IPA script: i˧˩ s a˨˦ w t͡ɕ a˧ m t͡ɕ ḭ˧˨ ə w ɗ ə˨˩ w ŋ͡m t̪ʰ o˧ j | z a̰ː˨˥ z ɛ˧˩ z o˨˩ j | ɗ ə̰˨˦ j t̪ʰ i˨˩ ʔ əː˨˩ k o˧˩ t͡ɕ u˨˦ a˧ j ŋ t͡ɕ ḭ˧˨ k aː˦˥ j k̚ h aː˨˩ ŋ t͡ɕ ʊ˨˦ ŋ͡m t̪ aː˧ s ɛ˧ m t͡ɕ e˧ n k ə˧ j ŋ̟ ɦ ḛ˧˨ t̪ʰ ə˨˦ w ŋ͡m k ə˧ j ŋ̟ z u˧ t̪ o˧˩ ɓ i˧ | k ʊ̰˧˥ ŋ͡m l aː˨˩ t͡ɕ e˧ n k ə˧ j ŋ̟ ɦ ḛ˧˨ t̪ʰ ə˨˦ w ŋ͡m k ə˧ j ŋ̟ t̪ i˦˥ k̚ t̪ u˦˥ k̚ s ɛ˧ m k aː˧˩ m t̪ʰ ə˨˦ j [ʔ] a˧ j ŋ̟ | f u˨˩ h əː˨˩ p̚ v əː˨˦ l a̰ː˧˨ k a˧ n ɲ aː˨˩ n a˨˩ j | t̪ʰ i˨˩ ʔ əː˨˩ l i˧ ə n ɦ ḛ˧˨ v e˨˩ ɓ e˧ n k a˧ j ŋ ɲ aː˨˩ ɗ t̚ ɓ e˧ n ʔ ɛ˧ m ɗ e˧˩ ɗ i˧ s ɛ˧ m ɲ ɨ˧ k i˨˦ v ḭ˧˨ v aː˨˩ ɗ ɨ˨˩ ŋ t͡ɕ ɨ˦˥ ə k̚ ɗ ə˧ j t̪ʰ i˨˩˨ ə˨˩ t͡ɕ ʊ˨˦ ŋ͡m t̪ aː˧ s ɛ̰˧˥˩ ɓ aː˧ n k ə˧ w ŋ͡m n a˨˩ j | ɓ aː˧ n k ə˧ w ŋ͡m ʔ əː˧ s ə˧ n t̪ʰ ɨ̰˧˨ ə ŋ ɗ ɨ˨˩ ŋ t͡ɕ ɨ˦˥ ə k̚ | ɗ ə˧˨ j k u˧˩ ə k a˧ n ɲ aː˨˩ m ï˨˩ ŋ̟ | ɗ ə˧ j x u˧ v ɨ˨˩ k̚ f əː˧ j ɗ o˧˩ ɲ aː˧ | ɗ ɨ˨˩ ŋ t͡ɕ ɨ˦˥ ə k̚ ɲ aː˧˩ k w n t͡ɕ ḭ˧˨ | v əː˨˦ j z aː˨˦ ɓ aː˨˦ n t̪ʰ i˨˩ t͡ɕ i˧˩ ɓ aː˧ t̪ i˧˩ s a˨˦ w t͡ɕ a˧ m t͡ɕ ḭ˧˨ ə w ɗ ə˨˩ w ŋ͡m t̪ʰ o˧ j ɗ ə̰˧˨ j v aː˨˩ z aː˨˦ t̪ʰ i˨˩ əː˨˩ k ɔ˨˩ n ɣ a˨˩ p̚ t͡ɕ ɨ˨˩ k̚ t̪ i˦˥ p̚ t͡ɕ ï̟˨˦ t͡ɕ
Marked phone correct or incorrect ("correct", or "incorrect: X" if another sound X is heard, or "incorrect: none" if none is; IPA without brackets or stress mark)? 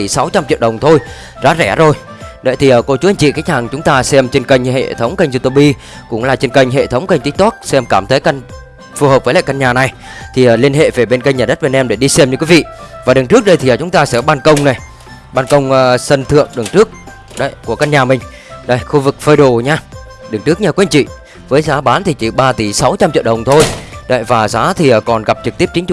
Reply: incorrect: k